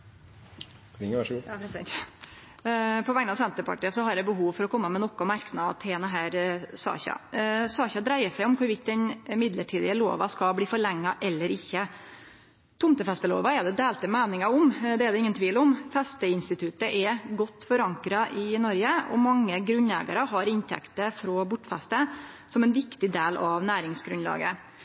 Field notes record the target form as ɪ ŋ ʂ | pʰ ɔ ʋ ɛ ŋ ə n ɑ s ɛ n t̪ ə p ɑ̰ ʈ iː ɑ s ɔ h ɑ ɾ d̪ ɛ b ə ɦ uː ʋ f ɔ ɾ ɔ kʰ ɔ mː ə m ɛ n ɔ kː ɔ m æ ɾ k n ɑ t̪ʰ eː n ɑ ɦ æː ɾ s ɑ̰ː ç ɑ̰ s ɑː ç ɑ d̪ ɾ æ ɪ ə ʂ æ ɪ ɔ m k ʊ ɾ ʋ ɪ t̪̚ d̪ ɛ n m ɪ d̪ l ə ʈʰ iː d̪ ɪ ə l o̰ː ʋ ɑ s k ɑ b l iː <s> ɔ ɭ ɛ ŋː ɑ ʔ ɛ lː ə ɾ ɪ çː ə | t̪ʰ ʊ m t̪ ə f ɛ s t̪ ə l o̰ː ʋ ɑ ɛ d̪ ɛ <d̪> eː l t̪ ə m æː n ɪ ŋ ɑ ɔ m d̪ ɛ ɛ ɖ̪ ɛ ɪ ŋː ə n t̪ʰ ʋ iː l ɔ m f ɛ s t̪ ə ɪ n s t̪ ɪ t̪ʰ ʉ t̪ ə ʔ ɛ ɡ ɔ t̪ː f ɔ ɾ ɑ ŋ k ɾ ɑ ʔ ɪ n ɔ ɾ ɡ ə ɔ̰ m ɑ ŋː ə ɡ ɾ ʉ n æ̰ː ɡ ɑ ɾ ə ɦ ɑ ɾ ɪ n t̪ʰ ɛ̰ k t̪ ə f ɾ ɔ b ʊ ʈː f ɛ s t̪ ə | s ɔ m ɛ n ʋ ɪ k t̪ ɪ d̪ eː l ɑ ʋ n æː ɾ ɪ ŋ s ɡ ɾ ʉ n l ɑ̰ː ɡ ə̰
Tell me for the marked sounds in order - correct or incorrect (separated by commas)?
incorrect, correct